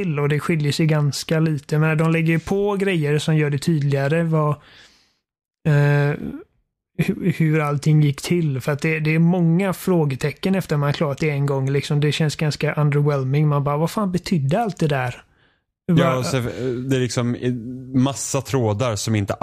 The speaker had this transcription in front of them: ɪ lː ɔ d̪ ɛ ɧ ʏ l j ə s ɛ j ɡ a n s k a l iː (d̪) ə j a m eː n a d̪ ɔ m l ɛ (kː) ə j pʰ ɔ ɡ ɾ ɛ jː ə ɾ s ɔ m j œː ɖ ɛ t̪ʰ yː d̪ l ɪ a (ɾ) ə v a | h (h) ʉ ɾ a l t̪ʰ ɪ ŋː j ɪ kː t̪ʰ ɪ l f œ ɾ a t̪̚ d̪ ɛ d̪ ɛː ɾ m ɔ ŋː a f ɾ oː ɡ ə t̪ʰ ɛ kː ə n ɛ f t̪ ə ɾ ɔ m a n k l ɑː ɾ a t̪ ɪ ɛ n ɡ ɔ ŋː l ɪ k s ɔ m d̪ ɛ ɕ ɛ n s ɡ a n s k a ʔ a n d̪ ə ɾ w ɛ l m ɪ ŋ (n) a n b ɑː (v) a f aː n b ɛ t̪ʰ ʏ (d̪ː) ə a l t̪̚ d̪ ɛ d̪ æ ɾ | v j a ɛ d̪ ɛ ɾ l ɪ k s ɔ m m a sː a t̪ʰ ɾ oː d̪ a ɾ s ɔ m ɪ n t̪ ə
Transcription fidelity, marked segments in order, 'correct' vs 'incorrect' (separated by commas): incorrect, incorrect, correct, correct, incorrect, correct, correct